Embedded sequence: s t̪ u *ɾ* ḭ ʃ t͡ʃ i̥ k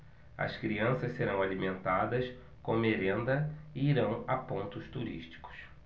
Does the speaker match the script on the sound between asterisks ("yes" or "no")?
yes